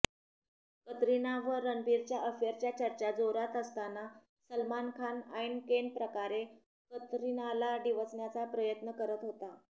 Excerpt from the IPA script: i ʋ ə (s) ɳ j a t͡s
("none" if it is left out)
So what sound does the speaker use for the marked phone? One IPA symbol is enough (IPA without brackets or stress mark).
t͡s